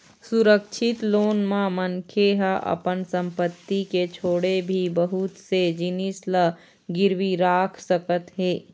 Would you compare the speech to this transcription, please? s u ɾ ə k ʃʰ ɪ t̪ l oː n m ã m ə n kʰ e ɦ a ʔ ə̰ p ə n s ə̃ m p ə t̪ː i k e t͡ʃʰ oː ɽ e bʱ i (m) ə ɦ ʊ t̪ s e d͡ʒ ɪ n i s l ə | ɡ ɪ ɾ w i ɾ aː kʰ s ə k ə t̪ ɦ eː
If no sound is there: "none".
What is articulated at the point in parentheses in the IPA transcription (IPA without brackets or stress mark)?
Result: b